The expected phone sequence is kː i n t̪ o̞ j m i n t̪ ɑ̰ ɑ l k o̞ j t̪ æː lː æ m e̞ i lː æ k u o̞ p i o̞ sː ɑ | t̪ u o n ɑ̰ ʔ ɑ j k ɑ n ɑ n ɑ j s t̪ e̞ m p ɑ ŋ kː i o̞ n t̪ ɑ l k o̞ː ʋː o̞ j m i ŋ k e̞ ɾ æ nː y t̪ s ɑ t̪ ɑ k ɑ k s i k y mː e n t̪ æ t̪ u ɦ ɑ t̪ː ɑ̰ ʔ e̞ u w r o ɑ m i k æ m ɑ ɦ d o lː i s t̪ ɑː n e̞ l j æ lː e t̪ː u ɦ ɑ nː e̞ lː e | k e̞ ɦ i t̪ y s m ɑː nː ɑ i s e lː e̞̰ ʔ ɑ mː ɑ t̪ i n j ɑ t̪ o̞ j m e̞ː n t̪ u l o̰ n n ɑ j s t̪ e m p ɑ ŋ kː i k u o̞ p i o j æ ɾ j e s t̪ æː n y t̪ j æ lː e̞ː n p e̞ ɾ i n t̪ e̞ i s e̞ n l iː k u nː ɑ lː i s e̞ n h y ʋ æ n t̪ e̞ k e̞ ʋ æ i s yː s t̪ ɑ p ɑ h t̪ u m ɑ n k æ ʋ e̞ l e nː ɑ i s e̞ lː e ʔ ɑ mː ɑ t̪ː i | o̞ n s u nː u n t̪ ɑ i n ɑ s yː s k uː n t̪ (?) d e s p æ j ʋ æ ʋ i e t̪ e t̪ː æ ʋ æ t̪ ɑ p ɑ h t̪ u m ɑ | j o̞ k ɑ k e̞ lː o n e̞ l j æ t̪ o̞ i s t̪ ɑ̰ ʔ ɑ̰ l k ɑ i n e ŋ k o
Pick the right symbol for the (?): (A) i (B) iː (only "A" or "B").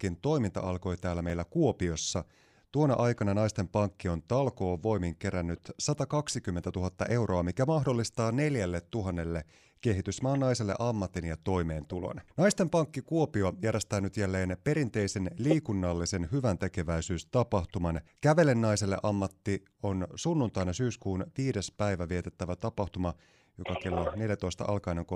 B